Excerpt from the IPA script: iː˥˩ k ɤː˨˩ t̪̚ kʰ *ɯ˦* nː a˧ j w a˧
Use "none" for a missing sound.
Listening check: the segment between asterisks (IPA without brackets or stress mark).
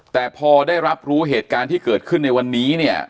ɯ˥˩